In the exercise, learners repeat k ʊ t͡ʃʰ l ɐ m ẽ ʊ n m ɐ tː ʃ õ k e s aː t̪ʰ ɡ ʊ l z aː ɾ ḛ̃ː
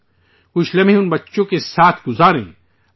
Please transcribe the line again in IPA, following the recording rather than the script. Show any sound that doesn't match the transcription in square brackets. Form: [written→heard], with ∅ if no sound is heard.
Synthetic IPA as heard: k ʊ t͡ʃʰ l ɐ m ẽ ʊ n [m→b] ɐ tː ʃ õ k e s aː t̪ʰ ɡ ʊ [l→∅] z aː ɾ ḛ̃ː